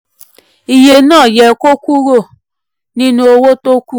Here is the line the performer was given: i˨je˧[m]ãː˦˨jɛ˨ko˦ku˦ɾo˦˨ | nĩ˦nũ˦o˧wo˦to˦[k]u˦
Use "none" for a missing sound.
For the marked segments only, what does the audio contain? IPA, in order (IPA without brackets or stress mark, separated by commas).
n, k